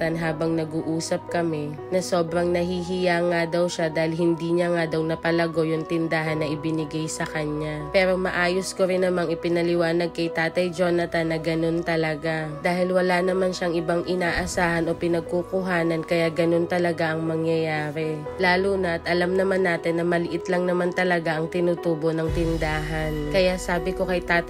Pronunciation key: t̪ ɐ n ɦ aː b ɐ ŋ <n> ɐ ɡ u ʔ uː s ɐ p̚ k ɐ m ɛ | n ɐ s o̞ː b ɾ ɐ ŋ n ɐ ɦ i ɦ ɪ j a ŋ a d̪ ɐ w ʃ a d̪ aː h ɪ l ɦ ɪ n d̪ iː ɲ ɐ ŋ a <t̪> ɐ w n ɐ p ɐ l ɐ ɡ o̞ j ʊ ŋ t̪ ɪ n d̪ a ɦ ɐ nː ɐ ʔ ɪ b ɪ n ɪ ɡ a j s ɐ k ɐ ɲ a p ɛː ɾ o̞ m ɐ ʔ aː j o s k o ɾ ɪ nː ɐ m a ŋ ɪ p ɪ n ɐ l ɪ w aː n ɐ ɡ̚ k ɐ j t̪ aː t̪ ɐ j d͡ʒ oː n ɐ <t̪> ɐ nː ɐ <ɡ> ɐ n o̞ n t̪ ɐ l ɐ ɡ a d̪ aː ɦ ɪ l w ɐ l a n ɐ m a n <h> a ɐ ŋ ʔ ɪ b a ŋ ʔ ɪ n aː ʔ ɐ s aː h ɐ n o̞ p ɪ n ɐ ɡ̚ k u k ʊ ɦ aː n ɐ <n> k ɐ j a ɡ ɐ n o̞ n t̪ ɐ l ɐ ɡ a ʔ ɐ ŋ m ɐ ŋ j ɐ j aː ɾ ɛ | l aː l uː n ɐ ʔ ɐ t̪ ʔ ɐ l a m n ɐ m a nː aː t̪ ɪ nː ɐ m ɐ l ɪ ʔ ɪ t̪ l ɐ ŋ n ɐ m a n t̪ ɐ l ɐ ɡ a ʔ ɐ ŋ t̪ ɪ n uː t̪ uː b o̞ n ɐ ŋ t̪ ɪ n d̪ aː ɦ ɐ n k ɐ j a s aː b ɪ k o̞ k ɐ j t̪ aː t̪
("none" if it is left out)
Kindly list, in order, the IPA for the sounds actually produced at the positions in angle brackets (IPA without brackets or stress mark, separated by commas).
n, d̪, t̪, ɡ, ʃ, n